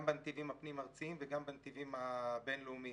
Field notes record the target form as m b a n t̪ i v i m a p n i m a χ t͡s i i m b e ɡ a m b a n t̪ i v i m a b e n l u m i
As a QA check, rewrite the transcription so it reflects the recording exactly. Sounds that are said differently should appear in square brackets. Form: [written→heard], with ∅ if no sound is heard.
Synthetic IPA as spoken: m b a n t̪ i v i m a p n i m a [χ→ʁ] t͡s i i m [b→v] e ɡ a m b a n t̪ i v i m a b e n l u m i